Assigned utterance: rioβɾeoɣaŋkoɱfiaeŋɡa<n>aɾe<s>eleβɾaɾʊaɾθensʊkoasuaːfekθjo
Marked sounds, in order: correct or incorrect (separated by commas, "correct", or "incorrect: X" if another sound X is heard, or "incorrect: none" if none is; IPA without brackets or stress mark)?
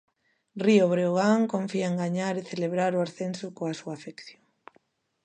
incorrect: ɲ, incorrect: θ